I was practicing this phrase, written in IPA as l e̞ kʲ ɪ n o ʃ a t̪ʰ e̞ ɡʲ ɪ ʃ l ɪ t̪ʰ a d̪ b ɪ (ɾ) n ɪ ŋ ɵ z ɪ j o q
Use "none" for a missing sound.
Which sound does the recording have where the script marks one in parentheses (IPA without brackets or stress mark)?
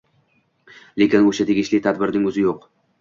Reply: ɾ